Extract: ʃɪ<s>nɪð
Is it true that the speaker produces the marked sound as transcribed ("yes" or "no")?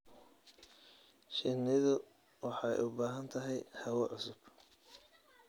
no